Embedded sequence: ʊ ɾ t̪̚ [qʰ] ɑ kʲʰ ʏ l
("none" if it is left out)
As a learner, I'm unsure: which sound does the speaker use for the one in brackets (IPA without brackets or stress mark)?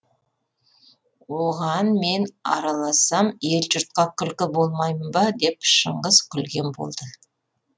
q